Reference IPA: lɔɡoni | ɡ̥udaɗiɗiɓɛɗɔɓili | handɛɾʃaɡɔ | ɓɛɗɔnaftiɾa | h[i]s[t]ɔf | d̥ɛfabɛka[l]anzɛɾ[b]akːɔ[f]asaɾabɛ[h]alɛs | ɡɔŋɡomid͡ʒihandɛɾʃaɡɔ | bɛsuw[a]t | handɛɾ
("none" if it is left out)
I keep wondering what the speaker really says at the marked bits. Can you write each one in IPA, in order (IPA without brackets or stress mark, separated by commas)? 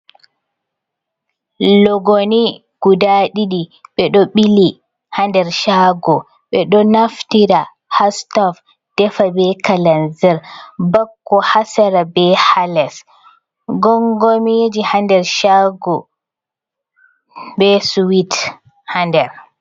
a, t, l, b, h, h, i